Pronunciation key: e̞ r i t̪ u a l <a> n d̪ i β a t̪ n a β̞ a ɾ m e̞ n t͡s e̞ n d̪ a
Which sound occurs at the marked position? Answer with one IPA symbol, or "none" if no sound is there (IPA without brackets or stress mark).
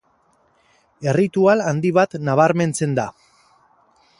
a